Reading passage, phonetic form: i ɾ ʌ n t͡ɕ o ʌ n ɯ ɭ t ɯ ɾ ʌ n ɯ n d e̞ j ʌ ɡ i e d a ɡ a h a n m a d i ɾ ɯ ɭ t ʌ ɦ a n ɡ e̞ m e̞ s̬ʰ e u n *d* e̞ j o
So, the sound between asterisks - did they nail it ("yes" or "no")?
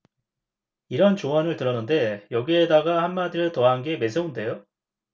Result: yes